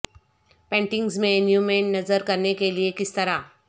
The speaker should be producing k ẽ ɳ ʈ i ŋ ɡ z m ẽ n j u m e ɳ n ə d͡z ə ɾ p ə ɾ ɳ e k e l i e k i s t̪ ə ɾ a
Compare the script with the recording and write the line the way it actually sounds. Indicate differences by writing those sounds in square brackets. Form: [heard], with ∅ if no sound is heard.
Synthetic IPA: [p] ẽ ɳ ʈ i ŋ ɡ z m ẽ n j u m e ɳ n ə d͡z ə ɾ [k] ə ɾ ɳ e k e l i e k i s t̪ ə ɾ a